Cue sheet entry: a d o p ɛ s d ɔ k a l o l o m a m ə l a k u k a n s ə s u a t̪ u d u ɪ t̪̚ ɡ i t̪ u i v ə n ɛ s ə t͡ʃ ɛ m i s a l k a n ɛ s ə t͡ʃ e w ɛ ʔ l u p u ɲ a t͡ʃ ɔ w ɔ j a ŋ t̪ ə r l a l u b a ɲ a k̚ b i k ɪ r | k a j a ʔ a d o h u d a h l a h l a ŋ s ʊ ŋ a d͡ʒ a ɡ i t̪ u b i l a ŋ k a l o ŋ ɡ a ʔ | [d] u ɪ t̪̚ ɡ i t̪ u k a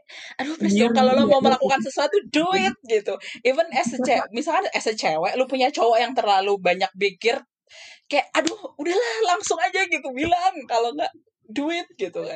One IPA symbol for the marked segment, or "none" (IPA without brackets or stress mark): d